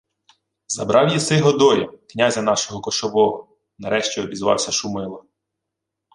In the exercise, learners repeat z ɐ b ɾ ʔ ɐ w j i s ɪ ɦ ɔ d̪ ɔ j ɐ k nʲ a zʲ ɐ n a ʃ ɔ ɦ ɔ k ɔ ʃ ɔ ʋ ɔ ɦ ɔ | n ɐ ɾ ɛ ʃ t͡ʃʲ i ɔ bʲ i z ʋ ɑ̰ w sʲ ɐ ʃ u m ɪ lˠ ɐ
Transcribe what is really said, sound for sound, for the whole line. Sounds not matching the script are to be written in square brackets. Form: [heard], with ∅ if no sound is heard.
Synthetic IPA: z ɐ b ɾ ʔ [ɑ] w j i s ɪ ɦ ɔ d̪ ɔ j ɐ k nʲ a zʲ ɐ n [ɑ] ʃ ɔ ɦ ɔ k ɔ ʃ ɔ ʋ ɔ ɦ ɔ | n ɐ ɾ ɛ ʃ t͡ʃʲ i ɔ bʲ i z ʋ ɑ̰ w sʲ ɐ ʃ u m ɪ lˠ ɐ